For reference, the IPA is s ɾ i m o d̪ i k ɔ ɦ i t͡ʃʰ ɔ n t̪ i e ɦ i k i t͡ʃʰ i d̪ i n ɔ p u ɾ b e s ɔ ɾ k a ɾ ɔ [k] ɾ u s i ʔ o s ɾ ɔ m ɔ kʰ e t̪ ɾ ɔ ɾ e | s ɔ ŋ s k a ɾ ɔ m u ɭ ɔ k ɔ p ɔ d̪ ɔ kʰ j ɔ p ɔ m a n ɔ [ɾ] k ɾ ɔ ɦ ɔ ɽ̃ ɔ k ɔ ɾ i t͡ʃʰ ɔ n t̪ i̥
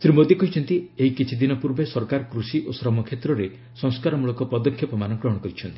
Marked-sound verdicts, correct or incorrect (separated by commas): correct, incorrect